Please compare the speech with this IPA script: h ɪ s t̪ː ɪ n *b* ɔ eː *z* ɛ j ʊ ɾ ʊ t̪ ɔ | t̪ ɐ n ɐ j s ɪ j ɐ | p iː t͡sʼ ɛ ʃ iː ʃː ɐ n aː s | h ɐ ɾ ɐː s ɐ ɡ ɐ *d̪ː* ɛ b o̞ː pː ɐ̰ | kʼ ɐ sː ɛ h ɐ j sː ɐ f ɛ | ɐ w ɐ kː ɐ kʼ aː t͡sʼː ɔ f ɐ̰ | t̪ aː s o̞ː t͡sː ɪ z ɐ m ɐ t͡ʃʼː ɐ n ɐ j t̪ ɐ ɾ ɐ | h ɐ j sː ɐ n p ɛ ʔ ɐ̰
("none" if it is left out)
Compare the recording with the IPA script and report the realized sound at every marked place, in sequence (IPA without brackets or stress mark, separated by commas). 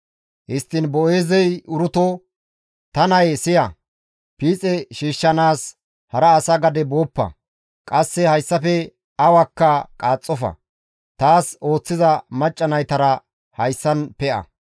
b, z, d̪